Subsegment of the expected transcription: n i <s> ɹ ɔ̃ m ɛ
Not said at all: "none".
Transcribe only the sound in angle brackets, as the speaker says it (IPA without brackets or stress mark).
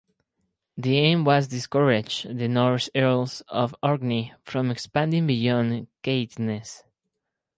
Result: f